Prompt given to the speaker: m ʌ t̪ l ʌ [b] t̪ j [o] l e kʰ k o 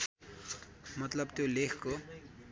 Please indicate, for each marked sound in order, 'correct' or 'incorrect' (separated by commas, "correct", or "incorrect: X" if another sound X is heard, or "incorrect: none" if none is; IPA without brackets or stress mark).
correct, correct